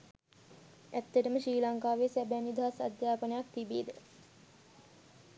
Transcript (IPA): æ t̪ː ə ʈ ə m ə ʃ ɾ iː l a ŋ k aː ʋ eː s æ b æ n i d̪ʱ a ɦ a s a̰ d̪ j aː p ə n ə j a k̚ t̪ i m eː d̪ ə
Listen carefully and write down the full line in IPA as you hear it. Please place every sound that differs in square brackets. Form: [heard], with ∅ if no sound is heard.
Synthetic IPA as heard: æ t̪ː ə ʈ ə m ə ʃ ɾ iː l a ŋ k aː ʋ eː s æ b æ n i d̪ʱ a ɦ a s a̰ d̪ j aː p ə n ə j a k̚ t̪ i [b] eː d̪ ə